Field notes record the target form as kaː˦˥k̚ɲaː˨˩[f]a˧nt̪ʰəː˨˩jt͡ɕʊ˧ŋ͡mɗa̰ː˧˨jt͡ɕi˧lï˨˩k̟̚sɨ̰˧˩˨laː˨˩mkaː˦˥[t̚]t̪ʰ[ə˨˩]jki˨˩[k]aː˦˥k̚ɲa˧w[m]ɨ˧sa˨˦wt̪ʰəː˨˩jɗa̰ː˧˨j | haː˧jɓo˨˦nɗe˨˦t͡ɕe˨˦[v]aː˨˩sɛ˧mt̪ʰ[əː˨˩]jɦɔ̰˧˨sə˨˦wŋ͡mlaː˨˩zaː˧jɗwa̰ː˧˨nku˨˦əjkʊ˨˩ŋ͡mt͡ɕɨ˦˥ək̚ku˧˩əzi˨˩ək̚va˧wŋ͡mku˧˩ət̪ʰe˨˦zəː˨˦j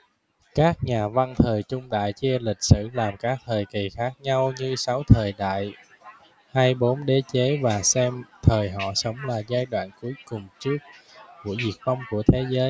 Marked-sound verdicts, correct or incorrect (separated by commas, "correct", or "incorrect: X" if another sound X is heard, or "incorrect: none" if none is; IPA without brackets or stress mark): incorrect: v, incorrect: k̚, incorrect: əː˨˩, incorrect: x, incorrect: ɲ, correct, correct